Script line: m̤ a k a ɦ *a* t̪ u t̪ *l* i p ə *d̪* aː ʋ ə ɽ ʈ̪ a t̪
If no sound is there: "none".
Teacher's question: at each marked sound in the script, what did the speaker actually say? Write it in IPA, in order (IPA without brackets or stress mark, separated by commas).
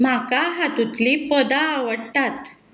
a, l, d̪